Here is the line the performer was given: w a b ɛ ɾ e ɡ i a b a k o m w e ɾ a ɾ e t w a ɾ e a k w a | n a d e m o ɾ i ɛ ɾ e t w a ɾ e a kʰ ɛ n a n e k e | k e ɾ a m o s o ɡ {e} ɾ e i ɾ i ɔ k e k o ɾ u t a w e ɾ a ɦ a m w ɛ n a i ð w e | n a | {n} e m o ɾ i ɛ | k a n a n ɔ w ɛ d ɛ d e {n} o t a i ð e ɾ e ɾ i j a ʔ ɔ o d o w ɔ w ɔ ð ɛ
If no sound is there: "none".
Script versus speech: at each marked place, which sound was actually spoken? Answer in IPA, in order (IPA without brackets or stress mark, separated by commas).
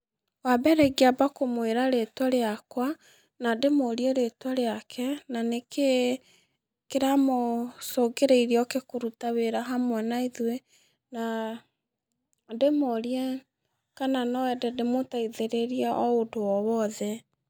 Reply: e, d, m